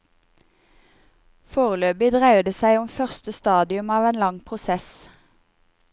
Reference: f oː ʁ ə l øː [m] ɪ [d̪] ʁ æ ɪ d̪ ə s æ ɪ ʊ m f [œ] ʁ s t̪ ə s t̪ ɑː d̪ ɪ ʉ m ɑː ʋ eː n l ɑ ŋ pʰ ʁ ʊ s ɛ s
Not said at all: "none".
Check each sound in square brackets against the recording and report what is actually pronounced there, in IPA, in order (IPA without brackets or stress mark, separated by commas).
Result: b, d̪, œ